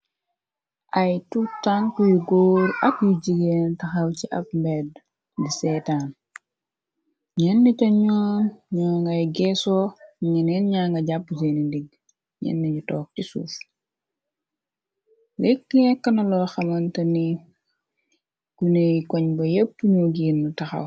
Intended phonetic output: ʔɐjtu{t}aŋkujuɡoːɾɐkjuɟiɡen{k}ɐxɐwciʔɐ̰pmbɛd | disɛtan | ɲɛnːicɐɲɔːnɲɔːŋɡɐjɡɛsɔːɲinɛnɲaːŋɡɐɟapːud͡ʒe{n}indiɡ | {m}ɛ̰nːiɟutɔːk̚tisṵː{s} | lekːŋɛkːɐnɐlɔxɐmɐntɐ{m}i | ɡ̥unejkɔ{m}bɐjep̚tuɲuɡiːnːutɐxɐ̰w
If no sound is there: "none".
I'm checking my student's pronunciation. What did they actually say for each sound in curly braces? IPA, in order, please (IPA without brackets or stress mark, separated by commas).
t, t, n, ɲ, f, n, ɲ